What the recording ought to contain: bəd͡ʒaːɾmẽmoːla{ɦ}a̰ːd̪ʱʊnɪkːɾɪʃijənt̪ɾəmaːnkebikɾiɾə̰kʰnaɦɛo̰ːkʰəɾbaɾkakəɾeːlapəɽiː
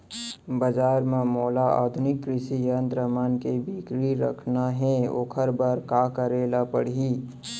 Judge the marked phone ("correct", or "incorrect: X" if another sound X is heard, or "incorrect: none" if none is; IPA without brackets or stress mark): incorrect: none